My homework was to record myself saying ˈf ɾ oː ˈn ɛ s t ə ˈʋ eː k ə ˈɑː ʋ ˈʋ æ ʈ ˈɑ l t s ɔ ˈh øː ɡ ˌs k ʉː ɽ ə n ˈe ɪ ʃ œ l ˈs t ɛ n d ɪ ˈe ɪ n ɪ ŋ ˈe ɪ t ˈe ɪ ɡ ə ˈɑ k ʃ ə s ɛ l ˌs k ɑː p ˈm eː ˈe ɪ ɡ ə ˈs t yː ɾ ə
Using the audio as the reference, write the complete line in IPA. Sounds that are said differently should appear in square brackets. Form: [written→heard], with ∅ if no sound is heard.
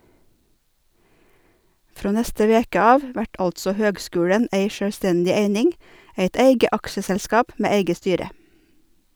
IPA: ˈf ɾ oː ˈn ɛ s t ə ˈʋ eː k ə ˈɑː ʋ ˈʋ æ ʈ ˈɑ l t s ɔ ˈh øː ɡ ˌs k ʉː ɽ ə n ˈe ɪ ʃ œ [l→ɽ] ˈs t ɛ n d ɪ ˈe ɪ n ɪ ŋ ˈe ɪ t ˈe ɪ ɡ ə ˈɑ k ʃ ə s ɛ l ˌs k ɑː p ˈm eː ˈe ɪ ɡ ə ˈs t yː ɾ ə